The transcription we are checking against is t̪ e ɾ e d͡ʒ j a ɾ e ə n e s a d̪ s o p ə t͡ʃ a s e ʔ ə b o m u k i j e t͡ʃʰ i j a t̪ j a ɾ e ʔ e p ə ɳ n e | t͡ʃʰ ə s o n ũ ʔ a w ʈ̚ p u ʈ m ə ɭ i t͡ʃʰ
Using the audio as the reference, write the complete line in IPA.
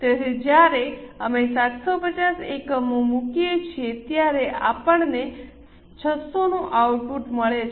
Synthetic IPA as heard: t̪ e ɾ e d͡ʒ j a ɾ e ə m e s a t̪ s o p ə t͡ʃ a s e k ə m o m u k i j e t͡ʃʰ i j e t̪ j a ɾ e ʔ a p ə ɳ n e | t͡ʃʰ ə s o n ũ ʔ a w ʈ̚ p u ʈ m ə ɭ e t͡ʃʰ